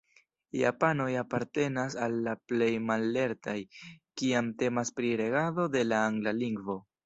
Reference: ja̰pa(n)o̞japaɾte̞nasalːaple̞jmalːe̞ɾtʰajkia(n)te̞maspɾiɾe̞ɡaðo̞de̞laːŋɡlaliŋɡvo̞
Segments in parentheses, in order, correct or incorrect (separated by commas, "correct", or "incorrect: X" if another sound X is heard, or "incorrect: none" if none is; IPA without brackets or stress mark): correct, incorrect: m